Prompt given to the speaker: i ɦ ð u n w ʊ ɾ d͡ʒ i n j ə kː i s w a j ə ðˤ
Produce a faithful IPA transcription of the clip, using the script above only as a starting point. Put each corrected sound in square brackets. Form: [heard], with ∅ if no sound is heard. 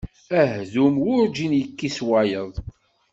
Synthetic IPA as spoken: [æ] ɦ ð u [m] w ʊ ɾ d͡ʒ i n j ə kː i s w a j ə ðˤ